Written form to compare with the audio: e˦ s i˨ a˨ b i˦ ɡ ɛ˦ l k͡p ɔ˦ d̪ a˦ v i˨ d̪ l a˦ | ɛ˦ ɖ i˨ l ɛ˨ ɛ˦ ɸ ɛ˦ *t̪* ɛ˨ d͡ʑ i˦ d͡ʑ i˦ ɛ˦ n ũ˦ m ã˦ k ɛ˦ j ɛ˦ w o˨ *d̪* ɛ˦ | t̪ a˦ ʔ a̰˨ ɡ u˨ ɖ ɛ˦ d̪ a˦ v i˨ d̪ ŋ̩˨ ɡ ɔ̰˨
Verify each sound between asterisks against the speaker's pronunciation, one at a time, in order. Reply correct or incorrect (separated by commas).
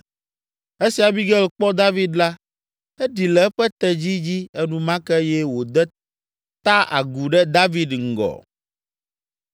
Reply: correct, correct